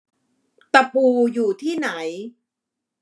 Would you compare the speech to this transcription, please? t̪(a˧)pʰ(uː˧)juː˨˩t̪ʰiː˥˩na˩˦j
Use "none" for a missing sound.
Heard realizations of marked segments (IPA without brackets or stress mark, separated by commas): a˧, uː˧